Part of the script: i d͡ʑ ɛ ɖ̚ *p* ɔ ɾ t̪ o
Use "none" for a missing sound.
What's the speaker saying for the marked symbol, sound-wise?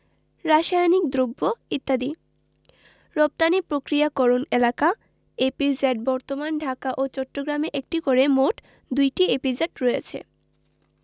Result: b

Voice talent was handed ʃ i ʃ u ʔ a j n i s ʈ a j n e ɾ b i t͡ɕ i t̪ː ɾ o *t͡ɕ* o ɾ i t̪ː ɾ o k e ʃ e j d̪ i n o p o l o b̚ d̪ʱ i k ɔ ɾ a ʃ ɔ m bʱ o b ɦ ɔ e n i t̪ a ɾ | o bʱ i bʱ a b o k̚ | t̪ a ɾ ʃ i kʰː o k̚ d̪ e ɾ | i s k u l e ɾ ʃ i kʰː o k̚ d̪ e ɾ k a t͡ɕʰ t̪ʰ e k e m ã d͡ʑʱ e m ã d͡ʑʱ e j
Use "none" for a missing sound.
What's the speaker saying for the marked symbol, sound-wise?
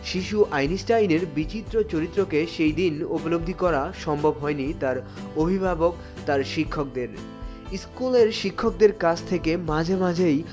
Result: t͡ɕ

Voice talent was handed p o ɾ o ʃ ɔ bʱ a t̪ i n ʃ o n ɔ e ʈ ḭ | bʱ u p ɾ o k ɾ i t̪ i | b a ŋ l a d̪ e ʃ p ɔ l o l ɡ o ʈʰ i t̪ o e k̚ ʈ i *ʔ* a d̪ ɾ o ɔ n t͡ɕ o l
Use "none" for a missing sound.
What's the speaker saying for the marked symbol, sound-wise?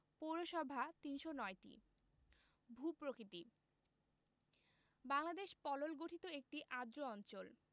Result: ʔ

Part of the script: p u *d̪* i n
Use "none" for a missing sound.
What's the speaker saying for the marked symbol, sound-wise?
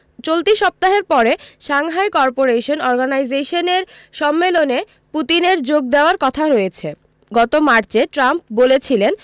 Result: t̪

